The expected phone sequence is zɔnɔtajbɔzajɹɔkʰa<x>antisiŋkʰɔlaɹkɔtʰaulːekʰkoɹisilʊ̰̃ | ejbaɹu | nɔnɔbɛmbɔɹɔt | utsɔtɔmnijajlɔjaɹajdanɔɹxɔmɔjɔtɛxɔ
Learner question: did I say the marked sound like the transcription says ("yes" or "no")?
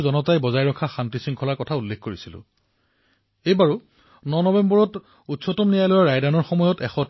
yes